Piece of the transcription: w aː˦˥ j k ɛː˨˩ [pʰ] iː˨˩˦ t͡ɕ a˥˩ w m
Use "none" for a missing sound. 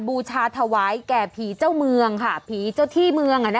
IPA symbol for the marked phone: pʰ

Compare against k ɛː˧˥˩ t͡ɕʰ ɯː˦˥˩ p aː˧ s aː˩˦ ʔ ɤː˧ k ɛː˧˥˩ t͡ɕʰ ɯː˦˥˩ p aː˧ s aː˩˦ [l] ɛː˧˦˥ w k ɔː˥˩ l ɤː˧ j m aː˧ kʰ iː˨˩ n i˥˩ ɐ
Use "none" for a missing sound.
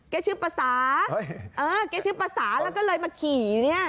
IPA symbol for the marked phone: l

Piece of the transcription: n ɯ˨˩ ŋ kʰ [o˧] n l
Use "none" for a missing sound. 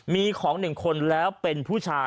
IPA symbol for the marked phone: o˧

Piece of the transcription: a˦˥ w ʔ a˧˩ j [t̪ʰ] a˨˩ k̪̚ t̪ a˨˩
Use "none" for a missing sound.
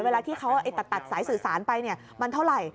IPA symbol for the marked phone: t̪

